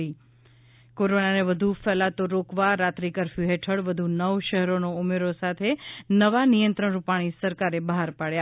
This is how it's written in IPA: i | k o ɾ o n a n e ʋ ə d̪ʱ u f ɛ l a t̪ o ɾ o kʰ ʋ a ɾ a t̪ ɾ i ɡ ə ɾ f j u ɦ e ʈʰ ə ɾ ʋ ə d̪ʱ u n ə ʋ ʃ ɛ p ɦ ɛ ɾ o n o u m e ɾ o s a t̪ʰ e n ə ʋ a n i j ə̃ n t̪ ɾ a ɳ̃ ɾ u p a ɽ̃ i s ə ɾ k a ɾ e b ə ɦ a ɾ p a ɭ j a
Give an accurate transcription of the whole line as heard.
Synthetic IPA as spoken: i | k o ɾ o n a n e ʋ ə d̪ʱ u f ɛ l a t̪ o ɾ o k ʋ a ɾ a t̪ ɾ i k ə ɾ f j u ɦ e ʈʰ ə ɽ ʋ ə d̪ʱ u n ə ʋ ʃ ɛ ɦ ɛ ɾ o n o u m e ɾ o s a t̪ʰ e n ə ʋ a n i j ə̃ n t̪ ɾ ə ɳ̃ ɾ u p a ɽ̃ i s ə ɾ k a ɾ e b ə ɦ a ɾ p a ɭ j a

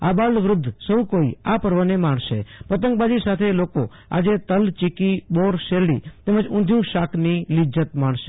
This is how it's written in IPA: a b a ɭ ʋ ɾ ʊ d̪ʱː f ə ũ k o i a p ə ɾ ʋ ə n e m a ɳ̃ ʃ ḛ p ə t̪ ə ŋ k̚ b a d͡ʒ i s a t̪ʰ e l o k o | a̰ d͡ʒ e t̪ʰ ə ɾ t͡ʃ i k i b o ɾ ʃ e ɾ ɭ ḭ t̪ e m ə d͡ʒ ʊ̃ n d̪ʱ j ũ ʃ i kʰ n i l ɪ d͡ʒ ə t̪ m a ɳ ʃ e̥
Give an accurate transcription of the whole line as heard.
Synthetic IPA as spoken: a b a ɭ ʋ ɾ ʊ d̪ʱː s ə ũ k o i a p ə ɾ ʋ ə n e m a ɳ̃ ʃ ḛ p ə t̪ ə ŋ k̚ b a d͡ʒ i s a t̪ʰ e l o k o | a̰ d͡ʒ e t̪ ə l t͡ʃ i k i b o ɾ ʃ e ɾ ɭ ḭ t̪ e m ə d͡ʒ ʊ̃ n d̪ʱ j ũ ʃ a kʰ n i l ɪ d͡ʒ ə t̪ m a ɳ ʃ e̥

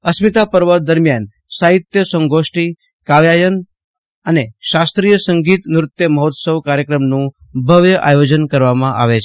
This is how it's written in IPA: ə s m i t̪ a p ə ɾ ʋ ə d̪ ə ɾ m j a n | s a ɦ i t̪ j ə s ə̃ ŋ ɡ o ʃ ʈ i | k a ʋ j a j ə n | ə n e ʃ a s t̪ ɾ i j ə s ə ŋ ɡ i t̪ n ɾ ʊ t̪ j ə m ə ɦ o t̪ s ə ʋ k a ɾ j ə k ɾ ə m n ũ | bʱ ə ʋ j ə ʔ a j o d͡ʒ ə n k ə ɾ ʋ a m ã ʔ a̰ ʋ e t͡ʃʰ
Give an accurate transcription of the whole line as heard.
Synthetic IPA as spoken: ə s m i t̪ a p ə ɾ ʋ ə d̪ ə ɾ m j a n | s a ɦ i t̪ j ə s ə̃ ŋ ɡ o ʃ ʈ i | k a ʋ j a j ə n | ə n e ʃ a s t̪ ɾ i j ə s ə ŋ ɡ i t̪ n ɾ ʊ t̪ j ə m ə ɦ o t̪ s ə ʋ k a ɾ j ə k ɾ ə m n ũ | bʱ ə ʋ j ə ʔ a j o d͡ʒ ə n k ə ɾ ʋ a m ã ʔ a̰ ʋ e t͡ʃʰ

